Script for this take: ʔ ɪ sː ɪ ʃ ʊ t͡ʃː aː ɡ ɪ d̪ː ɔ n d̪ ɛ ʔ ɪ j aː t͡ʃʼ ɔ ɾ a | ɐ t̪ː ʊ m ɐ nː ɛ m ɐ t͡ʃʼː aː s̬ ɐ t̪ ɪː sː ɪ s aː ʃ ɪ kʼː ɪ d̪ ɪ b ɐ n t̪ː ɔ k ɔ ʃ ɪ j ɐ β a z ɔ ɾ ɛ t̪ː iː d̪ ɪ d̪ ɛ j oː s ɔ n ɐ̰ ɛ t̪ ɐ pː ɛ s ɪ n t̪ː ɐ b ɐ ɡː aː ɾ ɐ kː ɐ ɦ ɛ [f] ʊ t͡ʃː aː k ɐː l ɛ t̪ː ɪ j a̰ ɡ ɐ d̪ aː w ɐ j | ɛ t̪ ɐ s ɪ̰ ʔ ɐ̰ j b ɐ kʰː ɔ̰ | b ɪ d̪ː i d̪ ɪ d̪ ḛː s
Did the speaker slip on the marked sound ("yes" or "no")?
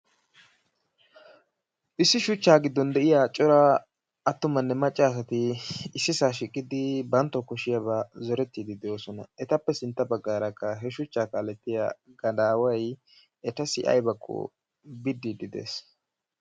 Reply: yes